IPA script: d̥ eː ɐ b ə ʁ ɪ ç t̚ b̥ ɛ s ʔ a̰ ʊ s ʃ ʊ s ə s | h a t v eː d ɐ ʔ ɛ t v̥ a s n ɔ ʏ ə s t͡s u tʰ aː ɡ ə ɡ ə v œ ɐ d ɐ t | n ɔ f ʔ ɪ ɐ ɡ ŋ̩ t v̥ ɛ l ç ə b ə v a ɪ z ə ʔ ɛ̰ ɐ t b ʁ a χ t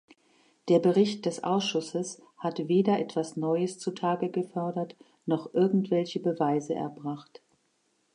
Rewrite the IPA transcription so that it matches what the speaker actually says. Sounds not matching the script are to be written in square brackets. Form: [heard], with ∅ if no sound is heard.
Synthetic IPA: d̥ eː ɐ b ə ʁ ɪ ç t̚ [d̥] ɛ s ʔ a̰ ʊ s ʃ ʊ s ə s | h a t v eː d ɐ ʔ ɛ t v̥ a s n ɔ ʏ ə s t͡s u tʰ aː ɡ ə ɡ ə [f] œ ɐ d ɐ t | n ɔ [χ] ʔ ɪ ɐ ɡ ŋ̩ t v̥ ɛ l ç ə b ə v a ɪ z ə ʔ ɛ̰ ɐ [∅] b ʁ a χ t